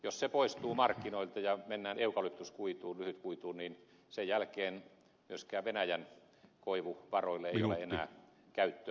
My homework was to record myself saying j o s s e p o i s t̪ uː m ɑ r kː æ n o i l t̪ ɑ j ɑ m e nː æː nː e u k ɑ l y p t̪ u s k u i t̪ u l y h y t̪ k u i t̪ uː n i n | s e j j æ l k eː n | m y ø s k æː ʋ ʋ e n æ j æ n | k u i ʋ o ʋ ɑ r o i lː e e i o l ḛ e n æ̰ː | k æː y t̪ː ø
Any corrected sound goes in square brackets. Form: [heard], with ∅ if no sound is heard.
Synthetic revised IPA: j o s s e p o i s t̪ uː m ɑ r kː [i] n o i l t̪ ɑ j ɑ m e nː æː [n] e u k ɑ l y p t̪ u s k u i t̪ [uː] l y h y t̪ k u i t̪ uː n i n | s e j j æ l k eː n | m y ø s k æː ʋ ʋ e n æ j æ n | k [o] i ʋ [u] ʋ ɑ r o i lː e e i o l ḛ e n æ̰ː | k [æ] y t̪ː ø